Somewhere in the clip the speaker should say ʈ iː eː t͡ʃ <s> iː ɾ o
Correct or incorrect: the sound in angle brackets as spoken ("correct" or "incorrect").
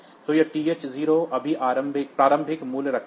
incorrect